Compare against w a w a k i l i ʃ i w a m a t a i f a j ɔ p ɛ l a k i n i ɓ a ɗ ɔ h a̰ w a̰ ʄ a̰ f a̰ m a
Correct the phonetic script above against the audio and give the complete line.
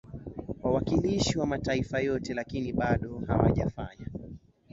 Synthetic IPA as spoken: w a w a k i l i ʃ i w a m a t a i f a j ɔ t ɛ l a k i n i ɓ a ɗ ɔ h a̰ w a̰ ʄ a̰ f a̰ ɲ a